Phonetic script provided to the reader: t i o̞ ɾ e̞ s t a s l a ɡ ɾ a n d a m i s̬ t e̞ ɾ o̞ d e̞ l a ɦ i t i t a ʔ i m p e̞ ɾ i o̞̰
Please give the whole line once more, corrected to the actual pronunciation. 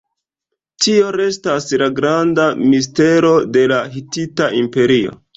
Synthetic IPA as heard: t i o̞ ɾ e̞ s t a s l a ɡ ɾ a n d a m i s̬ t e̞ ɾ o̞ d e̞ l a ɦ i t i t a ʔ i m p e̞ ɾ i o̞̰